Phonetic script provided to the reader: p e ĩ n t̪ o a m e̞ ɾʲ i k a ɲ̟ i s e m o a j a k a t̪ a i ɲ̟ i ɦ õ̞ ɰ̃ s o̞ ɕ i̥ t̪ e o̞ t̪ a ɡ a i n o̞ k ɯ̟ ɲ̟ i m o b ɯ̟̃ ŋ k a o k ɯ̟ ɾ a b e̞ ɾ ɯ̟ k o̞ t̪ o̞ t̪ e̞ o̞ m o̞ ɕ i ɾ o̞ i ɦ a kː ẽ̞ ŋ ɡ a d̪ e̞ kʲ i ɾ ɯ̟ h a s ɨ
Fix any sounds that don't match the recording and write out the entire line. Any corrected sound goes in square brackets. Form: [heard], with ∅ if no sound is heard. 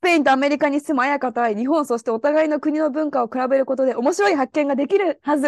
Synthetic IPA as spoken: p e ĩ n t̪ o a m e̞ ɾʲ i k a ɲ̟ i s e m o a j a k a t̪ a i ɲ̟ i ɦ õ̞ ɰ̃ s o̞ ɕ i̥ t̪ e o̞ t̪ a ɡ a i n o̞ k ɯ̟ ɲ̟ i [n] o b ɯ̟̃ ŋ k a o k ɯ̟ ɾ a b e̞ ɾ ɯ̟ k o̞ t̪ o̞ [d̪] e̞ o̞ m o̞ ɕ i ɾ o̞ i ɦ a kː ẽ̞ ŋ ɡ a d̪ e̞ kʲ i ɾ ɯ̟ h a [z] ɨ